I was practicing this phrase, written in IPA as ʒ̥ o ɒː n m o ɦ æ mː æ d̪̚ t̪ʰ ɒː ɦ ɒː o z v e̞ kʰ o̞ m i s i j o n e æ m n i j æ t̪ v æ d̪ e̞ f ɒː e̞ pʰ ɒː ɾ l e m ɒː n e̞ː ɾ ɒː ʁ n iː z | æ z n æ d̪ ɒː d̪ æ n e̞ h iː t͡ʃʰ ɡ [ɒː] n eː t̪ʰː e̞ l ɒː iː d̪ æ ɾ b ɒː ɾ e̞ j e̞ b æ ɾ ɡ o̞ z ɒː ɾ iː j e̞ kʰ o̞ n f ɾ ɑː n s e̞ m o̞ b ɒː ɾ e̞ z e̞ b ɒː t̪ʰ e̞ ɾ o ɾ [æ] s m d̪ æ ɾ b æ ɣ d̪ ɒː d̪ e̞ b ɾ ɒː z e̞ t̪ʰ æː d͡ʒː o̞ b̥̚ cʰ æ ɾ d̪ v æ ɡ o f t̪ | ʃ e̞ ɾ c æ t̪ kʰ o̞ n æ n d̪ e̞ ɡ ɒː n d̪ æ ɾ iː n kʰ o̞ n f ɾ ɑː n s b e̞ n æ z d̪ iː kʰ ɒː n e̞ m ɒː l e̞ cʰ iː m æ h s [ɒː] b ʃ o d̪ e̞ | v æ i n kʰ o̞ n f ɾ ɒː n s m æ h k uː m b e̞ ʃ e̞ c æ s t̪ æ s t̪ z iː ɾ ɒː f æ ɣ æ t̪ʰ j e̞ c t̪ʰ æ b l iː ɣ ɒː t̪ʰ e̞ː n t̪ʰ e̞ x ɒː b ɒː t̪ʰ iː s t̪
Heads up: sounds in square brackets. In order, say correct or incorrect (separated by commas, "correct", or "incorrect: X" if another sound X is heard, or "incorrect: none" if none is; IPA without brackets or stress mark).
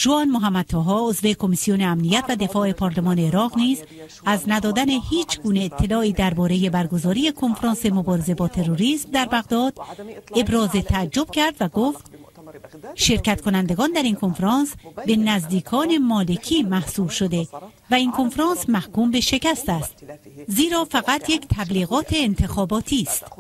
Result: incorrect: uː, incorrect: i, incorrect: uː